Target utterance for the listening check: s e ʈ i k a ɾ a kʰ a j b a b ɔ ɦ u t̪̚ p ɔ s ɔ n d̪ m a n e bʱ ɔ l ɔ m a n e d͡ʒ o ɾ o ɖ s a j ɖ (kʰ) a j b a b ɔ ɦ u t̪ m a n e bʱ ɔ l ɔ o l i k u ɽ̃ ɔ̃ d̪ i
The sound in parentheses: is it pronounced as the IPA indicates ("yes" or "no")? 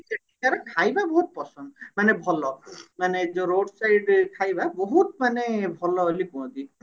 yes